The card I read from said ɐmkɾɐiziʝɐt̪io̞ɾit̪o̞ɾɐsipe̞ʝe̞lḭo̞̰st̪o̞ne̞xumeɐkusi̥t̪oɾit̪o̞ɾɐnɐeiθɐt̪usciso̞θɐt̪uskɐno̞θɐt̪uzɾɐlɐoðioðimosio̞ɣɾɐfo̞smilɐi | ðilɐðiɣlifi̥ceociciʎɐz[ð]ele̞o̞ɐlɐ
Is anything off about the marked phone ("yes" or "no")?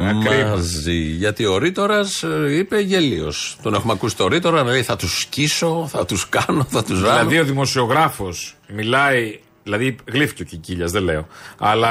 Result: no